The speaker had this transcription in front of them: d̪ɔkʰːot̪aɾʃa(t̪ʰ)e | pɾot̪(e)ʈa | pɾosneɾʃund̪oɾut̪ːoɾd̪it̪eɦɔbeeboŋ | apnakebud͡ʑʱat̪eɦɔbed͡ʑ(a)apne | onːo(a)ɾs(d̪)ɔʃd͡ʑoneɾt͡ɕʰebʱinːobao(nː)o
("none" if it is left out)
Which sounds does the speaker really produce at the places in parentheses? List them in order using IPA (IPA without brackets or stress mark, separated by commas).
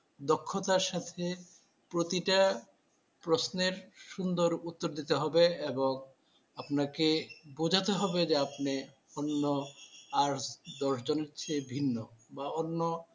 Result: t̪ʰ, i, e, a, d̪, nː